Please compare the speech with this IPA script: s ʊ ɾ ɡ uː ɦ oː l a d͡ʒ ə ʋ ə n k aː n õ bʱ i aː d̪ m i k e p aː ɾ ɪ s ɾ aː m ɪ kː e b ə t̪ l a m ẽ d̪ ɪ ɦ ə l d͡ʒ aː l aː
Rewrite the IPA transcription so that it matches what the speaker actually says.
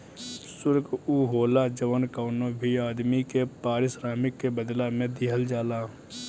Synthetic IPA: s ʊ ɾ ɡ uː ɦ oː l a d͡ʒ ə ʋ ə n k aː n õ bʱ i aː d̪ m i k e p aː ɾ ɪ s ɾ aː m ɪ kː e b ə d̪ l a m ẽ d̪ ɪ ɦ ə l d͡ʒ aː l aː